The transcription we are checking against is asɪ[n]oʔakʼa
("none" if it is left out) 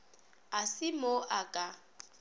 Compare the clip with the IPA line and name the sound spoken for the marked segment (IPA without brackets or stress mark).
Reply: m